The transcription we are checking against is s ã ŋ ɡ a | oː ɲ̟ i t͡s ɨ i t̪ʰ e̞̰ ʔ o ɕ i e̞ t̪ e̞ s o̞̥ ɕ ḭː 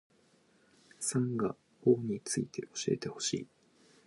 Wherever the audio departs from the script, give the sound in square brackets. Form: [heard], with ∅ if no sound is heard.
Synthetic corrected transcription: s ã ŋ ɡ a | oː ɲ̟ i t͡s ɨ i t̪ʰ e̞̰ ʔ o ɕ i e̞ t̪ e̞ [h] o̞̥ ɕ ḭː